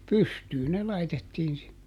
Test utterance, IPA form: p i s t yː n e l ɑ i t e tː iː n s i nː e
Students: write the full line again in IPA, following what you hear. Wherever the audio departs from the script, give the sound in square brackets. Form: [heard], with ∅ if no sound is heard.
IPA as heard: p [y] s t yː n e l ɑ i t e tː iː n s i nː e